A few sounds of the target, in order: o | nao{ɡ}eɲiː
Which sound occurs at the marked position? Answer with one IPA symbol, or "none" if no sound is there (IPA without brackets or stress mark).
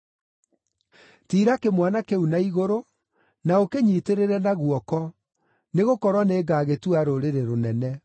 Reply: k